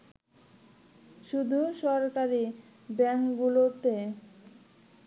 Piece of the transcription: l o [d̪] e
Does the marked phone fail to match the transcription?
yes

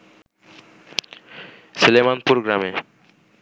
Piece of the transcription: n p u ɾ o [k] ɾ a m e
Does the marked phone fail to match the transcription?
yes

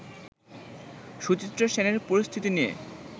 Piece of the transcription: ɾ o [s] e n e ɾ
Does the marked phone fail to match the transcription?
yes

